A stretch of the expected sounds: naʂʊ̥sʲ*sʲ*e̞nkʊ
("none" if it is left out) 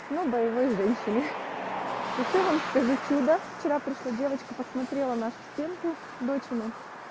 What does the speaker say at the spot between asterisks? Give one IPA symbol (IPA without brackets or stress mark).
tʲ